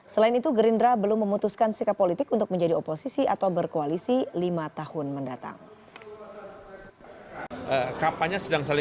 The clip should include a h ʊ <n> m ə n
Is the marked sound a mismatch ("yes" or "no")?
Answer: no